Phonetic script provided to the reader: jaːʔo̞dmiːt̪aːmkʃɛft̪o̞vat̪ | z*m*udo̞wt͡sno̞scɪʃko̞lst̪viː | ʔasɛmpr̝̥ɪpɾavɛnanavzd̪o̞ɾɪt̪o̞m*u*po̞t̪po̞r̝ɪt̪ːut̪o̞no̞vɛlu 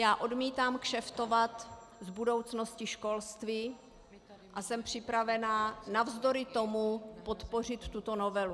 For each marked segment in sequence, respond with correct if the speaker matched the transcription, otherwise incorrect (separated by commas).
incorrect, correct